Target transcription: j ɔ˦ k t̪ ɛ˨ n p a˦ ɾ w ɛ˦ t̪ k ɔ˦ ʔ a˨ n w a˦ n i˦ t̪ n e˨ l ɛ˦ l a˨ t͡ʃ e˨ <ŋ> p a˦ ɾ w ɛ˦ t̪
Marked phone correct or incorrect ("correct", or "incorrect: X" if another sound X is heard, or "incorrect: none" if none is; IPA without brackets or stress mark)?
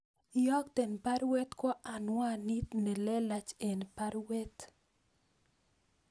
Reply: incorrect: n